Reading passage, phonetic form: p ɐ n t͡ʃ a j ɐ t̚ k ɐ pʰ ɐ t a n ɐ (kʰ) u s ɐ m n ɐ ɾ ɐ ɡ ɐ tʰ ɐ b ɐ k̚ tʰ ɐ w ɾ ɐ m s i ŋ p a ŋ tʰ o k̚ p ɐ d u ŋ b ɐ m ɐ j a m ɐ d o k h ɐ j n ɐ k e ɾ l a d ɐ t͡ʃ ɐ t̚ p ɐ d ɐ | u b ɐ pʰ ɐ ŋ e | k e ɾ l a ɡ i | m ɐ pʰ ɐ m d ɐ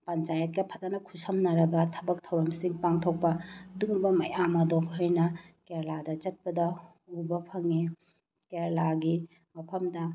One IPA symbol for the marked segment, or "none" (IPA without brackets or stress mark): kʰ